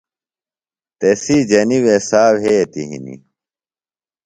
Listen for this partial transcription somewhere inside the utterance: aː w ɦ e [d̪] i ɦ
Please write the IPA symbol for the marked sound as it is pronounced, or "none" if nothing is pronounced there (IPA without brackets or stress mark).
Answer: t̪